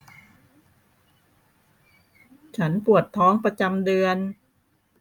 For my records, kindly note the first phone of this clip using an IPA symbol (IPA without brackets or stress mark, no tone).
t͡ɕʰ